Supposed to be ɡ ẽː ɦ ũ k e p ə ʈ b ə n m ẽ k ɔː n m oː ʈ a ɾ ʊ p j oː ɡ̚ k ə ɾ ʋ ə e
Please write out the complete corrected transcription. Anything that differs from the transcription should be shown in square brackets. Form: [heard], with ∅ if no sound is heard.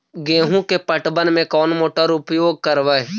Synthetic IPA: ɡ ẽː ɦ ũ k e p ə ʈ b ə n m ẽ k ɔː n m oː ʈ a ɾ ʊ p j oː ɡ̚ k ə ɾ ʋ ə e